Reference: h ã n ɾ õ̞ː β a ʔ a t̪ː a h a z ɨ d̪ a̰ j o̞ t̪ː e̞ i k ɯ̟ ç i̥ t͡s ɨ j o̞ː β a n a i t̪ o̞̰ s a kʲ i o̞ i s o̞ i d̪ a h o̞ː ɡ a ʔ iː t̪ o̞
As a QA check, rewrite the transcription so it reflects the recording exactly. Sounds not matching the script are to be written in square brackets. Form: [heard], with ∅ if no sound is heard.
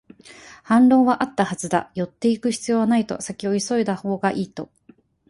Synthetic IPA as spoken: h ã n ɾ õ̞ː β a ʔ a t̪ː a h a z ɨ d̪ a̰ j o̞ t̪ː e̞ i k ɯ̟ ç i̥ t͡s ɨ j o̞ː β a n a i t̪ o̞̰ s a kʲ i o̞ i s o̞ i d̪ a h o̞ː ɡ a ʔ iː t̪ o̞